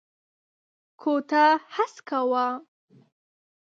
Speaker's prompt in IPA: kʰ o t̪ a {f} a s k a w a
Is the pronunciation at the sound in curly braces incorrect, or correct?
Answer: incorrect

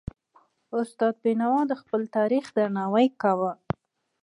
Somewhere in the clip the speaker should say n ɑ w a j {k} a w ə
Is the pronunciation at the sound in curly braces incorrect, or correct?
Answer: correct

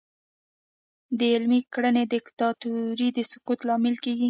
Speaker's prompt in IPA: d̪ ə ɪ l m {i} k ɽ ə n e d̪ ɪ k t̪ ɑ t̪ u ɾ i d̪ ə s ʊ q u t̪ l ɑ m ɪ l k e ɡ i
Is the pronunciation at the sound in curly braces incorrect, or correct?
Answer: correct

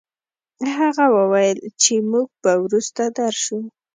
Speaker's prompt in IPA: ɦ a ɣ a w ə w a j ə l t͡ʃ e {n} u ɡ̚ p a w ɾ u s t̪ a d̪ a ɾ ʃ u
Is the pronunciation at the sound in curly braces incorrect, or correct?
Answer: incorrect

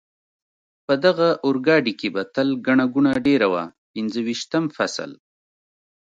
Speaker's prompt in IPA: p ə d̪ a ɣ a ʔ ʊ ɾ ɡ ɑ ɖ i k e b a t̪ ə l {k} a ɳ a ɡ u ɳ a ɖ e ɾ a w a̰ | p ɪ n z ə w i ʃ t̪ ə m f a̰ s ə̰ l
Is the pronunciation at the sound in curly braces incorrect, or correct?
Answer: incorrect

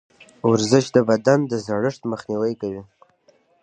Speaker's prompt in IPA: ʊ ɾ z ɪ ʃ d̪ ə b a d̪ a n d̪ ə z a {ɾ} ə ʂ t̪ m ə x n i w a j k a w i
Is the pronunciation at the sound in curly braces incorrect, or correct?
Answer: incorrect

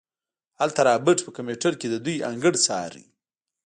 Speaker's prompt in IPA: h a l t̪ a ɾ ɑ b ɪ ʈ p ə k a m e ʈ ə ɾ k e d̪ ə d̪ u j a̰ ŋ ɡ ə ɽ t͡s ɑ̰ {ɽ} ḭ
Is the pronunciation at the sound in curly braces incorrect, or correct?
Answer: incorrect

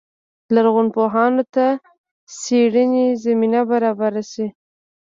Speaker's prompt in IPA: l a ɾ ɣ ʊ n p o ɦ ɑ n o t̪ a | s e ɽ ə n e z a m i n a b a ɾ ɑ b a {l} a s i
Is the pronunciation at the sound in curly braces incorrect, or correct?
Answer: incorrect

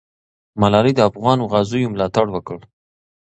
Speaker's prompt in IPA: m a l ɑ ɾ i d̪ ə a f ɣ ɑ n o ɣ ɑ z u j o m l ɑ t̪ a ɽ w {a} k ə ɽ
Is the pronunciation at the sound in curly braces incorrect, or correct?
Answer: incorrect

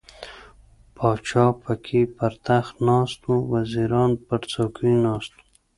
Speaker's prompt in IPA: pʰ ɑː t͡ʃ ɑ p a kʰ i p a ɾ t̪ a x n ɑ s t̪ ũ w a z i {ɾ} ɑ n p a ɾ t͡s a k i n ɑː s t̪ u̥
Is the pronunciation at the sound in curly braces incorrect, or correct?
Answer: correct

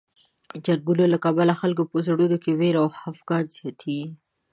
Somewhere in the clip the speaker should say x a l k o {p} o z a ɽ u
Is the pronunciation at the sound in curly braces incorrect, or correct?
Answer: correct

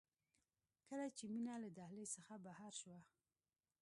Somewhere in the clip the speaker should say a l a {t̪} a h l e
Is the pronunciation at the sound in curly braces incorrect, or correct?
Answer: incorrect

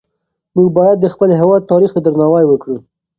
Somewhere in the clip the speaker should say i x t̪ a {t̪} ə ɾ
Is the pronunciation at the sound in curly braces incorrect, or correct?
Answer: incorrect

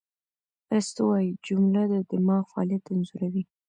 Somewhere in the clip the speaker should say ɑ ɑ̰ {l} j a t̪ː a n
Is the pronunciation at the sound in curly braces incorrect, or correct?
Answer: correct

